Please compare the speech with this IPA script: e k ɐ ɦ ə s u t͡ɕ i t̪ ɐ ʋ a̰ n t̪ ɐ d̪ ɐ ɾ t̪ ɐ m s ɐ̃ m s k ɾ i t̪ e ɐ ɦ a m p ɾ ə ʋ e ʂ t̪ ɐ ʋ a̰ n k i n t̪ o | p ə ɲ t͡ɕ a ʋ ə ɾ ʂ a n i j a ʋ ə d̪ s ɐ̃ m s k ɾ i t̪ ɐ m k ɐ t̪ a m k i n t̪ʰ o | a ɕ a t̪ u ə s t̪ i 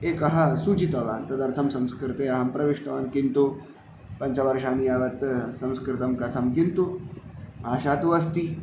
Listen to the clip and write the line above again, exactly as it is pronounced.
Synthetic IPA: e k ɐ ɦ a s u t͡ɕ i t̪ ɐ ʋ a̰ n t̪ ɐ d̪ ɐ ɾ t̪ʰ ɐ m s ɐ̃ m s k ɾ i t̪ e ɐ ɦ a m p ɾ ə ʋ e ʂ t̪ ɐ ʋ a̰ n k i n t̪ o | p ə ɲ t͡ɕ a ʋ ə ɾ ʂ a n i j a ʋ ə t̪ s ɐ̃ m s k ɾ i t̪ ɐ m k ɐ t̪ʰ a m k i n t̪ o | a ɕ a t̪ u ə s t̪ i

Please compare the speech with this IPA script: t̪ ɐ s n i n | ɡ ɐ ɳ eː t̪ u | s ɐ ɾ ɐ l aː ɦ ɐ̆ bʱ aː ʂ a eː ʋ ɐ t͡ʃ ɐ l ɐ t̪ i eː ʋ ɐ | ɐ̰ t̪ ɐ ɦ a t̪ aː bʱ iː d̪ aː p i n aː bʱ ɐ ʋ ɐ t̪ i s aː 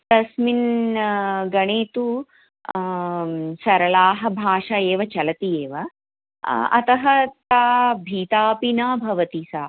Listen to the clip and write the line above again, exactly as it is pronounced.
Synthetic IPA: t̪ ɐ s m i n | ɡ ɐ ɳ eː t̪ u | s ɐ ɾ ɐ l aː ɦ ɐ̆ bʱ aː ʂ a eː ʋ ɐ t͡ʃ ɐ l ɐ t̪ i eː ʋ ɐ | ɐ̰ t̪ ɐ ɦ ɐ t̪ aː bʱ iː t̪ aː p i n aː bʱ ɐ ʋ ɐ t̪ i s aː

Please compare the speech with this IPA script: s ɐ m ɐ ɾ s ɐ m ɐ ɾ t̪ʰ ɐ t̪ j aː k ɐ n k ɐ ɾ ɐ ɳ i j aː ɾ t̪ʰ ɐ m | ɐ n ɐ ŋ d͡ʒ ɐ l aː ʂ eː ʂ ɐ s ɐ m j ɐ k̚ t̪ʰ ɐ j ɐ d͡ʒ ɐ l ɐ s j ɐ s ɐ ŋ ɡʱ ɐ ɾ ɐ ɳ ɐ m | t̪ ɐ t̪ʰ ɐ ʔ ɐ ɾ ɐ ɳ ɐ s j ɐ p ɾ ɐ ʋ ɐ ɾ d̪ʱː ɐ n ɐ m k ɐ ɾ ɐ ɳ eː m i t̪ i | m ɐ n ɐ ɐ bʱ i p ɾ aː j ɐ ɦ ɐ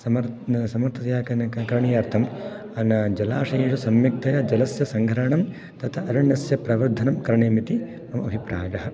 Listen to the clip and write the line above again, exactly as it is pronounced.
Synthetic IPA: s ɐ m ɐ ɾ s ɐ m ɐ ɾ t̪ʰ ɐ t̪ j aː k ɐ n k ɐ ɾ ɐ ɳ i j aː ɾ t̪ʰ ɐ m | ɐ n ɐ d͡ʒ ɐ l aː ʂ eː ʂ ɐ s ɐ m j ɐ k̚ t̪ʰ ɐ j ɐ d͡ʒ ɐ l ɐ s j ɐ s ɐ ŋ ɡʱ ɐ ɾ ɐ ɳ ɐ m | t̪ ɐ t̪ʰ ɐ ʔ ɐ ɾ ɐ ɳ ɐ s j ɐ p ɾ ɐ ʋ ɐ ɾ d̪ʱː ɐ n ɐ m k ɐ ɾ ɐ ɳ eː m i t̪ i | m ɐ m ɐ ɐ bʱ i p ɾ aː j ɐ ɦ ɐ

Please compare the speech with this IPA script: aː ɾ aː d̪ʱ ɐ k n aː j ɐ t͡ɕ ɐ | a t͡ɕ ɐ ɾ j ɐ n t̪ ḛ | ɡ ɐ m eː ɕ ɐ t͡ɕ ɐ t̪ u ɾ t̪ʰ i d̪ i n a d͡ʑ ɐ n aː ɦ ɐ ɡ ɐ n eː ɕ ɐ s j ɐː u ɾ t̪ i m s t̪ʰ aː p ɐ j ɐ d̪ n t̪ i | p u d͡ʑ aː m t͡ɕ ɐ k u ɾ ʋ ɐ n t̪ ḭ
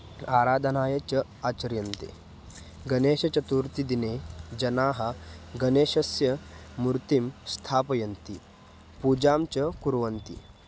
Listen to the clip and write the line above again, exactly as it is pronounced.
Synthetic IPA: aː ɾ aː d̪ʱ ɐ n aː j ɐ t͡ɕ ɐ | a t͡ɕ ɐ ɾ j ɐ n t̪ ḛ | ɡ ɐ n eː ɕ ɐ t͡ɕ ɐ t̪ u ɾ t̪ i d̪ i n e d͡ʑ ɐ n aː ɦ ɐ ɡ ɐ n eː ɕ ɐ s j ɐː u ɾ t̪ i m s t̪ʰ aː p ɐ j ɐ n t̪ i | p u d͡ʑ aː m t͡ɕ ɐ k u ɾ ʋ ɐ n t̪ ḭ

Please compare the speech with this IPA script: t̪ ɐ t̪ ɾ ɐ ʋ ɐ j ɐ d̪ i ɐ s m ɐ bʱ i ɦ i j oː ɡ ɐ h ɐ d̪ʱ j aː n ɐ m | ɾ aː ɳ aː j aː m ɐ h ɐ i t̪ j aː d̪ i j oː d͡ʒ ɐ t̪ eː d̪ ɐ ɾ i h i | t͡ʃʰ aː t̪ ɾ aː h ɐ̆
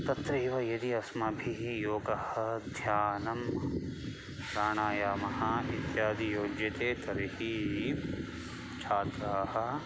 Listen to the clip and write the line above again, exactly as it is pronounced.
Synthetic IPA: t̪ ɐ t̪ ɾ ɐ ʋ ɐ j ɐ d̪ i ɐ s m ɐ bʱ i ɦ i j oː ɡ ɐ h ɐ d̪ʱ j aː n ɐ m | ɾ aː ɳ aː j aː m ɐ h ɐ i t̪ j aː d̪ i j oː d͡ʒ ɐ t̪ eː t̪ ɐ ɾ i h i | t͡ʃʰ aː t̪ ɾ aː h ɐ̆

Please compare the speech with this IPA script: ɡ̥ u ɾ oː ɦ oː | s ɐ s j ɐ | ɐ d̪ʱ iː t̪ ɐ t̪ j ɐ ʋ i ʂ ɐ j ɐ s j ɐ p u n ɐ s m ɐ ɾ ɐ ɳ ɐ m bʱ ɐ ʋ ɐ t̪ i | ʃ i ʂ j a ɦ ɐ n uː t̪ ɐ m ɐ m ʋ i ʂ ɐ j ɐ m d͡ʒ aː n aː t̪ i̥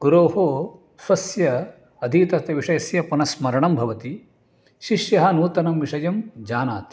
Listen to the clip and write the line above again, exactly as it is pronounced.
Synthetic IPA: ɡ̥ u ɾ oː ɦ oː | s ɐ s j ɐ | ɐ d̪ʱ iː t̪ ɐ t̪ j ɐ ʋ i ʂ ɐ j ɐ s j ɐ p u n ɐ s m ɐ ɾ ɐ ɳ ɐ m bʱ ɐ ʋ ɐ t̪ i | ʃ i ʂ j ɐ ɦ ɐ n uː t̪ ɐ n ɐ m ʋ i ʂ ɐ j ɐ m d͡ʒ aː n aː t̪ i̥

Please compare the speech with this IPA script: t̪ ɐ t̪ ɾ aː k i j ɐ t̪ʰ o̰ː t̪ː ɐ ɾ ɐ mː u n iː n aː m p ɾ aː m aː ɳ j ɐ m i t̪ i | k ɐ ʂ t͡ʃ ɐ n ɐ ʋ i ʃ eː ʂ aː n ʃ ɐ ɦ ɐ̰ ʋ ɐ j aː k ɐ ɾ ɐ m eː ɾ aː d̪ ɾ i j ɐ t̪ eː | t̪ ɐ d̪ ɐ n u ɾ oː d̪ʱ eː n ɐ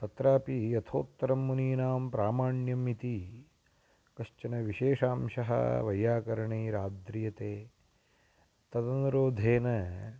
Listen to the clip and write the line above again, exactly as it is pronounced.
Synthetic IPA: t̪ ɐ t̪ ɾ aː p i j ɐ t̪ʰ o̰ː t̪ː ɐ ɾ ɐ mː u n iː n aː m p ɾ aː m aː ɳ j ɐ m i t̪ i | k ɐ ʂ t͡ʃ ɐ n ɐ ʋ i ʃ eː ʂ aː m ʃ ɐ ɦ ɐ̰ ʋ ɐ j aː k ɐ ɾ ɐ ɳ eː ɾ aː d̪ ɾ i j ɐ t̪ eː | t̪ ɐ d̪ ɐ n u ɾ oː d̪ʱ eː n ɐ

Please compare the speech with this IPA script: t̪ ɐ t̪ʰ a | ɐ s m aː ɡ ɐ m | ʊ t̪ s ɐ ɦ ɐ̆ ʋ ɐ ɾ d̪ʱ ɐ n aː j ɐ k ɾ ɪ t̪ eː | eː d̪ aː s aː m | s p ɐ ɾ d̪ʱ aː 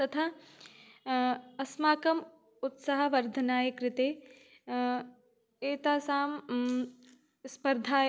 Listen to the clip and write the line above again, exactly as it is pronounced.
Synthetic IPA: t̪ ɐ t̪ʰ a | ɐ s m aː k ɐ m | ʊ t̪ s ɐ ɦ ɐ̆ ʋ ɐ ɾ d̪ʱ ɐ n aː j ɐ k ɾ ɪ t̪ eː | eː t̪ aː s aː m | s p ɐ ɾ d̪ʱ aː

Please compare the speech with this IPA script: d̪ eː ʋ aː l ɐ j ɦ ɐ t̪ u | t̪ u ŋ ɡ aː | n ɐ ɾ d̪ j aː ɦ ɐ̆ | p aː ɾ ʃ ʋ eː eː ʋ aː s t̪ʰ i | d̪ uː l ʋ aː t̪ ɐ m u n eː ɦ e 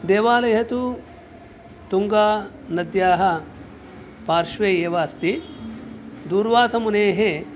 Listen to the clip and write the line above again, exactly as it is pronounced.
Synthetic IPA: d̪ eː ʋ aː l ɐ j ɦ ɐ t̪ u | t̪ u ŋ ɡ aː | n ɐ d̪ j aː ɦ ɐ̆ | p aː ɾ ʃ ʋ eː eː ʋ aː s t̪ i | d̪ uː ɾ ʋ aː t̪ ɐ m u n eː ɦ e

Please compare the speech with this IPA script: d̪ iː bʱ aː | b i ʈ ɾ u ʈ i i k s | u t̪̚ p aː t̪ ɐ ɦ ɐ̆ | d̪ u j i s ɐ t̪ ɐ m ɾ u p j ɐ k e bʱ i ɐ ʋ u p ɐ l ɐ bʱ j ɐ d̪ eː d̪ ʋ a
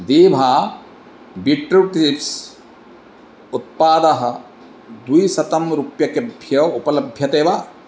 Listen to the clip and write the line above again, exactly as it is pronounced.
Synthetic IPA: d̪ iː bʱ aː | b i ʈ ɾ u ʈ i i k s | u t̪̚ p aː d̪ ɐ ɦ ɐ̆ | d̪ u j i s ɐ t̪ ɐ m ɾ u p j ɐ k e bʱ j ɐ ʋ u p ɐ l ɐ bʱ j ɐ t̪ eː ʋ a

